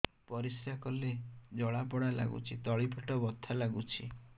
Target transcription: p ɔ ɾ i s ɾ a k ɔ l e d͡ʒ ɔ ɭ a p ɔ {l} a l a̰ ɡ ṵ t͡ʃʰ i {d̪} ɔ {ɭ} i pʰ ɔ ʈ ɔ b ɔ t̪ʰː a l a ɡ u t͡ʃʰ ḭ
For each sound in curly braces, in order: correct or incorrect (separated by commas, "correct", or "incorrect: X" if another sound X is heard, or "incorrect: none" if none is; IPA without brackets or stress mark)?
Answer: incorrect: ɽ, incorrect: t̪, correct